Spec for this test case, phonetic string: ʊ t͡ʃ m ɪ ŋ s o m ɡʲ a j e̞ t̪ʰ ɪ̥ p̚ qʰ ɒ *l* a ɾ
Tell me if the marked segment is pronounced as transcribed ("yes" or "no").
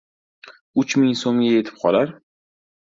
yes